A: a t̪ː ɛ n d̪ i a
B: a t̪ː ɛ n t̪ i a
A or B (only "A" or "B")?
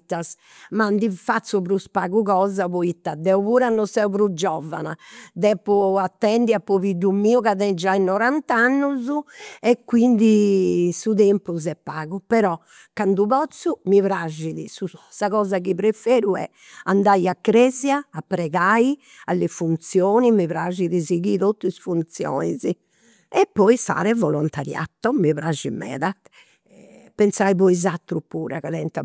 A